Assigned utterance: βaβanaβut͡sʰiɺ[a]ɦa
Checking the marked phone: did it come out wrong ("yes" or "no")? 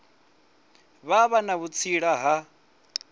no